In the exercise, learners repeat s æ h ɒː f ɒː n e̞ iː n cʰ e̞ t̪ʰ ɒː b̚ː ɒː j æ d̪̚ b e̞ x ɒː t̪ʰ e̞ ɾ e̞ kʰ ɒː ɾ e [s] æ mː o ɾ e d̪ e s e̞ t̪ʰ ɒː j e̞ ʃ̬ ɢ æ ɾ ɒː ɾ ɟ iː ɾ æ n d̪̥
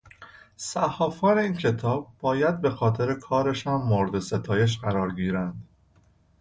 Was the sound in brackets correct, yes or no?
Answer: no